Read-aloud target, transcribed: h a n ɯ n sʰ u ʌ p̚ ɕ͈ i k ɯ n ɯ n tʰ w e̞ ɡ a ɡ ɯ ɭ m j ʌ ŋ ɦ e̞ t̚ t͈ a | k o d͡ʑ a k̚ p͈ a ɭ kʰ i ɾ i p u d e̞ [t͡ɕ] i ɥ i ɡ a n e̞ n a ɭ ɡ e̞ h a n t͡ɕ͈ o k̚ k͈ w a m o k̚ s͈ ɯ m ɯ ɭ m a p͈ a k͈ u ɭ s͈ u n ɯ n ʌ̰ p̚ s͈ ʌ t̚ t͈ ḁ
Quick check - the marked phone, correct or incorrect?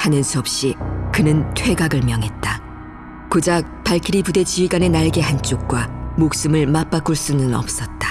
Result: correct